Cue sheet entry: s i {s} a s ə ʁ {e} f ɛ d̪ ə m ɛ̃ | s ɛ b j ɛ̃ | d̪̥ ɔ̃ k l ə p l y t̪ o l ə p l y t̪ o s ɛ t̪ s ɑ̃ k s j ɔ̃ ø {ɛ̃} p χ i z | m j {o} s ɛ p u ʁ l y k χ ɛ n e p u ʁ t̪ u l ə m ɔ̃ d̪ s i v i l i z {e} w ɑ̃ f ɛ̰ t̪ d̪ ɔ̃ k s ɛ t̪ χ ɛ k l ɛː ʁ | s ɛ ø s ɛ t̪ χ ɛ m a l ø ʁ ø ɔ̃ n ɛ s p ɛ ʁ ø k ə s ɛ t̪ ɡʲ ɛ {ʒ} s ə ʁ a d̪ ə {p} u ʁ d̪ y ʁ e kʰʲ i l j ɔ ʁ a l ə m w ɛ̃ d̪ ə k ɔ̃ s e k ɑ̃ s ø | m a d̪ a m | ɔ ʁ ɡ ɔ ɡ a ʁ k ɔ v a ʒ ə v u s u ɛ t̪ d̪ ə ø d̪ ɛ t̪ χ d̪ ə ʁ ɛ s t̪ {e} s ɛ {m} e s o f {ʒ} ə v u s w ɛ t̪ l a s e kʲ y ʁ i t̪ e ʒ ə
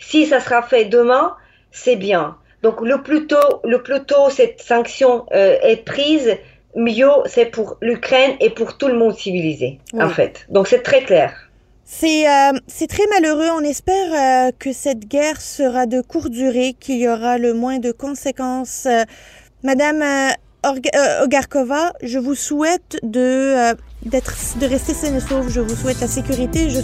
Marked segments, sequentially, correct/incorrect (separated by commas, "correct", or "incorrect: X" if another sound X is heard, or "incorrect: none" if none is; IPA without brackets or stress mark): correct, incorrect: a, incorrect: ɛ, correct, correct, incorrect: ʁ, incorrect: k, correct, incorrect: n, correct